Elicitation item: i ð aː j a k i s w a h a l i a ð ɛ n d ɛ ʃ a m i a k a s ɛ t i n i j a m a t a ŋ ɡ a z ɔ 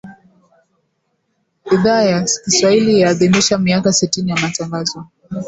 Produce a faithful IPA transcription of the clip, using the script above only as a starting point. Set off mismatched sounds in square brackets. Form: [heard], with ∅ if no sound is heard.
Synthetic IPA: i ð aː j a k i s w a h [i] l i a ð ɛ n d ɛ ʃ a m i a k a s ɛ t i n i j a m a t a ŋ ɡ a z ɔ